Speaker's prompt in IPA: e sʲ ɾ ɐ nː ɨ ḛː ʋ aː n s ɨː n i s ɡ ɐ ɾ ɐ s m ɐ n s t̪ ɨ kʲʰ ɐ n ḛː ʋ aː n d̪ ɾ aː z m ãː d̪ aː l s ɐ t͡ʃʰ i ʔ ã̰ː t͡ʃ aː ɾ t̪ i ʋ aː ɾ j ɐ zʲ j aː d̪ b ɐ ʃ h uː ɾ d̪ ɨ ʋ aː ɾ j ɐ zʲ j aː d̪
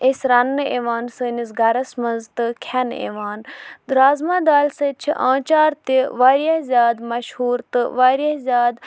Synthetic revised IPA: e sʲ ɾ ɐ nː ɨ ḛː ʋ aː n s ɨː n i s ɡ ɐ ɾ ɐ s m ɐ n z t̪ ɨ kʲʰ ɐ n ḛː ʋ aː n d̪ ɾ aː z m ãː d̪ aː l s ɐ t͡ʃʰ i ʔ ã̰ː t͡ʃ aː ɾ t̪ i ʋ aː ɾ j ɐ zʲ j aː d̪ m ɐ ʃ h uː ɾ t̪ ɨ ʋ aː ɾ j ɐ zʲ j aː d̪